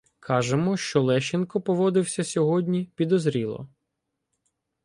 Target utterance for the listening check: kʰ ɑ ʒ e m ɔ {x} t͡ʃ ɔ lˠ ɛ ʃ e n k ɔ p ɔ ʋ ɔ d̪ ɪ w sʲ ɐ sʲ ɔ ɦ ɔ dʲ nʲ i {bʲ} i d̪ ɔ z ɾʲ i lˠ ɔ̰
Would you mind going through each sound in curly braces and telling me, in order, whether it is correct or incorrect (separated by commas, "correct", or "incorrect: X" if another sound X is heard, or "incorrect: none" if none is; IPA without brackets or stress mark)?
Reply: incorrect: ʃ, incorrect: pʲ